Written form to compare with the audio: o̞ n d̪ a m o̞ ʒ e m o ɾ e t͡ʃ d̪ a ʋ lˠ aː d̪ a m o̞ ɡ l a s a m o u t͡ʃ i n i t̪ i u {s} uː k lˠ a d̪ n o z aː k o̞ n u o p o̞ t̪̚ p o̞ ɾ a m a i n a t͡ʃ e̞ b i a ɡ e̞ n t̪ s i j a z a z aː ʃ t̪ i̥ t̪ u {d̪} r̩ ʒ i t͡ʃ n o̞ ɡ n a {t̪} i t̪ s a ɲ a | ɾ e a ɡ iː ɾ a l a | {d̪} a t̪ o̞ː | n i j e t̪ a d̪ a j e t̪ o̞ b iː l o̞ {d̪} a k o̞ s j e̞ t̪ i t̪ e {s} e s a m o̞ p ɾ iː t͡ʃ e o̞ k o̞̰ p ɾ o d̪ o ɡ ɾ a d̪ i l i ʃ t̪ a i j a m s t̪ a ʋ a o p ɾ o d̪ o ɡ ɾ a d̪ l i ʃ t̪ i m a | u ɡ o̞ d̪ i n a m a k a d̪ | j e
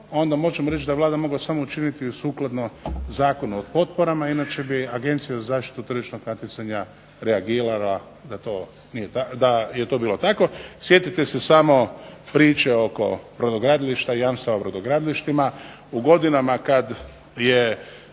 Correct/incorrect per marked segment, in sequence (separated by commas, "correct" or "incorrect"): correct, incorrect, correct, correct, incorrect, correct